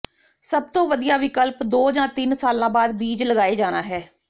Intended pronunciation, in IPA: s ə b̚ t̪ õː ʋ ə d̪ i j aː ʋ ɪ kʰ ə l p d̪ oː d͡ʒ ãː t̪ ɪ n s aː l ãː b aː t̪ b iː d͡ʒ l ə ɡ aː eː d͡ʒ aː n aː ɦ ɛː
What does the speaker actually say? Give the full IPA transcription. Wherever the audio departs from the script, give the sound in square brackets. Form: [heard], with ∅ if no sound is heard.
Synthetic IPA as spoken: s ə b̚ t̪ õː ʋ ə d̪ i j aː ʋ ɪ [k] ə l p d̪ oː d͡ʒ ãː t̪ ɪ n s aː l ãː b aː [d̪] b iː d͡ʒ l ə ɡ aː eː d͡ʒ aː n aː ɦ ɛː